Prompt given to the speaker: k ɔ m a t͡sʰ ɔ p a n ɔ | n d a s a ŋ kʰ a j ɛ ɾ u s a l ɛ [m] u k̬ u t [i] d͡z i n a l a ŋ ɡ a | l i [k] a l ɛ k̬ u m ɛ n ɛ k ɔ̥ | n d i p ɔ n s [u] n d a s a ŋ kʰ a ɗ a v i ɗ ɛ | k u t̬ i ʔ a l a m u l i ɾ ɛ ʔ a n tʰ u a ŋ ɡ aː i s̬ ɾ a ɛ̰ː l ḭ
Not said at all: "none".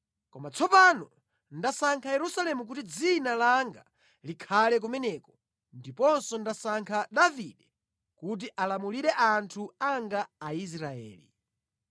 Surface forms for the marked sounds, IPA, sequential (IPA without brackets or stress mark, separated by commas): m, i, kʰ, ɔ